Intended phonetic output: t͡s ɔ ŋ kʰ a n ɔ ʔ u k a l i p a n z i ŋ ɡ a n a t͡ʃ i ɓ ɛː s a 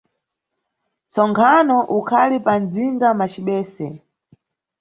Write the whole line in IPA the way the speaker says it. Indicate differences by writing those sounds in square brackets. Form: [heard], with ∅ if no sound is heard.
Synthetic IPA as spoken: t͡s ɔ ŋ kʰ a n ɔ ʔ u [kʰ] a l i p a n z i ŋ ɡ a [m] a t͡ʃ i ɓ ɛː s [ɛ]